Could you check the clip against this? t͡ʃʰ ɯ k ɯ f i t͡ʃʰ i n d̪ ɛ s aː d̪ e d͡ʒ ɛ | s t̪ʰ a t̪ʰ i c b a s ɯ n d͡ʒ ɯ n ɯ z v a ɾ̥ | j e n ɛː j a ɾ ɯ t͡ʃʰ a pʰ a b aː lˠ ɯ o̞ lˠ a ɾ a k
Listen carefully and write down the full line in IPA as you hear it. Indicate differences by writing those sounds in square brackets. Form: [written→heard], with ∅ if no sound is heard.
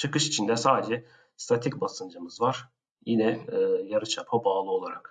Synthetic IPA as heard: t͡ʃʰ ɯ k ɯ [f→ʃ] i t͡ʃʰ i n d̪ ɛ s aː d̪ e d͡ʒ ɛ | s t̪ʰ a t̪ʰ i c b a s ɯ n d͡ʒ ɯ [n→m] ɯ z v a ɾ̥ | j [e→i] n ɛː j a ɾ ɯ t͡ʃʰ a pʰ a b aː lˠ ɯ o̞ lˠ a ɾ a k